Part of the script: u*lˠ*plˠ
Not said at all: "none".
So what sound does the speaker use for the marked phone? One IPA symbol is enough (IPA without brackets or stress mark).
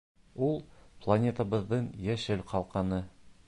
lˠ